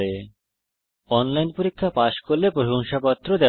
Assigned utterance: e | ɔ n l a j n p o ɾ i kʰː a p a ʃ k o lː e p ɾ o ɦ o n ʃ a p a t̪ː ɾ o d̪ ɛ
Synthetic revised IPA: e | ɔ n l a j n p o ɾ i kʰː a p a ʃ k o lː e p ɾ o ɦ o ŋ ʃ a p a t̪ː ɾ o d̪ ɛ